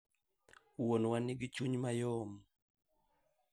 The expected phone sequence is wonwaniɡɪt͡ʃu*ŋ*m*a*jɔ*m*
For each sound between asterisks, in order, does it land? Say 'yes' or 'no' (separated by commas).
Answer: no, yes, yes